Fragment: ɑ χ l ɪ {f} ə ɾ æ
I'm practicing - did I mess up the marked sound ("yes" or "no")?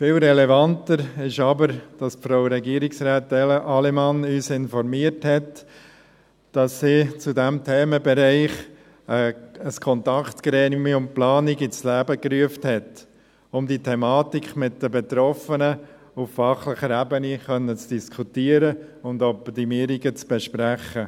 yes